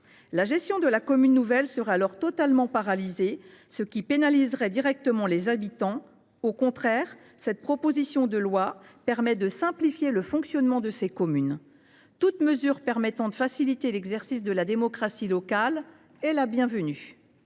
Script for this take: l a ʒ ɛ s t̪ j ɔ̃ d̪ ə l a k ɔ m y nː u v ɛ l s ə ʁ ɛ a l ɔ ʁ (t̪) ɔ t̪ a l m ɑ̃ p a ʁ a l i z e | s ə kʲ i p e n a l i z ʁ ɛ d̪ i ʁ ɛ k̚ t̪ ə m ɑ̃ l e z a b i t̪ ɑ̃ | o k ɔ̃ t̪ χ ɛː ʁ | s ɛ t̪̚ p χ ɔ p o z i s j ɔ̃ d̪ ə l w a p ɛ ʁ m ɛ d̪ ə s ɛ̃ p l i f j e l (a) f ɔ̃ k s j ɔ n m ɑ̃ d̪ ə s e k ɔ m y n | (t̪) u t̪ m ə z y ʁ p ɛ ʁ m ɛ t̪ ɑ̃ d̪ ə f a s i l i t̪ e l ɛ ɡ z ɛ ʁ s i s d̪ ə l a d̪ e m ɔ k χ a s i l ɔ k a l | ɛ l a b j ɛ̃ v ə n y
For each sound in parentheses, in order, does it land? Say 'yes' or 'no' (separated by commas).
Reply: yes, no, yes